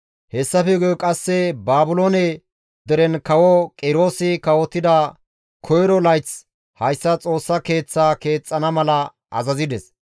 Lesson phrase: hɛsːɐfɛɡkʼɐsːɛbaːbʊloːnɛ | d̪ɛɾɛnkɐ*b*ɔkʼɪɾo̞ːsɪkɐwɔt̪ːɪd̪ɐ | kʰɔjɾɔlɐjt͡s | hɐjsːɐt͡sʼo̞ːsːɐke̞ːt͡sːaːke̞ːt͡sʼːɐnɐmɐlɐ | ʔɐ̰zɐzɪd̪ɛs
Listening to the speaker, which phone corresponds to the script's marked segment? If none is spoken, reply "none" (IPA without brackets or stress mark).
w